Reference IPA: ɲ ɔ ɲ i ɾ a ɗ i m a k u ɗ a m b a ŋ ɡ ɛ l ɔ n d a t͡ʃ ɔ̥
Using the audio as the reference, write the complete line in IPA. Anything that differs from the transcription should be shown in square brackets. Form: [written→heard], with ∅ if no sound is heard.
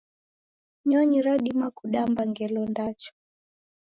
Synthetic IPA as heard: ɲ ɔ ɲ i ɾ a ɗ i m a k u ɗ a m b a ŋ ɡ ɛ l ɔ n d a t͡ʃ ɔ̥